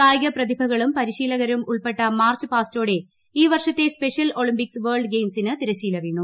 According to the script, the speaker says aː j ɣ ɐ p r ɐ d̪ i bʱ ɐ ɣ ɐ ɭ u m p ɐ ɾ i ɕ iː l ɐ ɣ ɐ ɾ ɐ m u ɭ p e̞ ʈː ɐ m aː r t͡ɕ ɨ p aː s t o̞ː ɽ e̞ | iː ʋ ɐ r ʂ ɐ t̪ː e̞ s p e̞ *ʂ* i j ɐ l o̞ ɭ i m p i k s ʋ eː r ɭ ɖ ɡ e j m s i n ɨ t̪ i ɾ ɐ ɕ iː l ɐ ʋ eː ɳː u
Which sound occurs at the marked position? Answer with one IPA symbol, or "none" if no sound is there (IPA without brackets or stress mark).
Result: ʂ